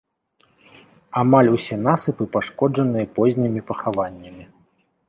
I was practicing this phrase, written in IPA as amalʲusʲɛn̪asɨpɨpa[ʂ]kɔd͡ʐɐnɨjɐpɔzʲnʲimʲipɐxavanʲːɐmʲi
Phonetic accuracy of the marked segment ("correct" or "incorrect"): correct